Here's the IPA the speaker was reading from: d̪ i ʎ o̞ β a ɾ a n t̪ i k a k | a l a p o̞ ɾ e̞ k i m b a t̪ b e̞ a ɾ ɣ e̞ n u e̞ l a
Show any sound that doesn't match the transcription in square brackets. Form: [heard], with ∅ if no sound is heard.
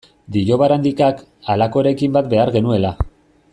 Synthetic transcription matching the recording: d̪ i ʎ o̞ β a ɾ a n [d̪] i k a k | a l a [k] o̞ ɾ e̞ k i m b a t̪ b e̞ a ɾ ɣ e̞ n u e̞ l a